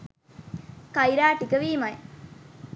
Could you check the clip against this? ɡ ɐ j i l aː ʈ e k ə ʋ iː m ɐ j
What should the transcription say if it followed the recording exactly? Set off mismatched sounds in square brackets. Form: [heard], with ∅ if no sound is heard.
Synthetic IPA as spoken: [k] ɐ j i [ɾ] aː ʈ [i] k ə ʋ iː m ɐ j